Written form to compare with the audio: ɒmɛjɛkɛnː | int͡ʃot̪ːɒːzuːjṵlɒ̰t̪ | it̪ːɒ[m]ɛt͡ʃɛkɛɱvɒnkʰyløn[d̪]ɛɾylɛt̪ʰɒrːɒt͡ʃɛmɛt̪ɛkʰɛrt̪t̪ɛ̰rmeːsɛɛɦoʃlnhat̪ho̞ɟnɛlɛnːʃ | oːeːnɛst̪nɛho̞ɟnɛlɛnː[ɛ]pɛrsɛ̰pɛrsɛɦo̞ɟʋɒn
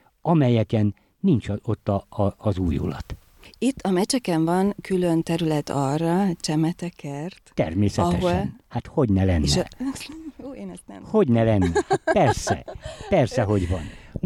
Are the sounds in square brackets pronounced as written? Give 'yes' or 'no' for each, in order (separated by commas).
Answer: yes, no, yes